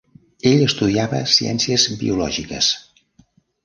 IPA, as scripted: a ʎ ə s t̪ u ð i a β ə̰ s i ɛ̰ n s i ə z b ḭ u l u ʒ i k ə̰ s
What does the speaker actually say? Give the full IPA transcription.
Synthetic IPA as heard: e ʎ ə s t̪ u ð i a β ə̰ s i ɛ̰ n s i ə z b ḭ u l ɔ ʒ i k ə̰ s